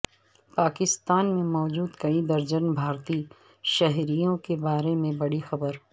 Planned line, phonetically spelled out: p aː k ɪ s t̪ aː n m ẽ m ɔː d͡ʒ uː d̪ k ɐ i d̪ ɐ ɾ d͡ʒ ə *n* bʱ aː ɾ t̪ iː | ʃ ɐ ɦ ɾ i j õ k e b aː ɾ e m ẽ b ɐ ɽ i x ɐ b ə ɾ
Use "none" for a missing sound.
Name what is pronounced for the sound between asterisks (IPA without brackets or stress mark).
n